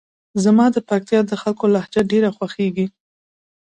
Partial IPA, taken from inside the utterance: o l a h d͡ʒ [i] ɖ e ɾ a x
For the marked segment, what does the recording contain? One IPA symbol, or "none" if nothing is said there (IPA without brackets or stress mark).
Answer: a